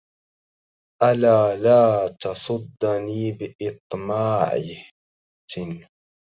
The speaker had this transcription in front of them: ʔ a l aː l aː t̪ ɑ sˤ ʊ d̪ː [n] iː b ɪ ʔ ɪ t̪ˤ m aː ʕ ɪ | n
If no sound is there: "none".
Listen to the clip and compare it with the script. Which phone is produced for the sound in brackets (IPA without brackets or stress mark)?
n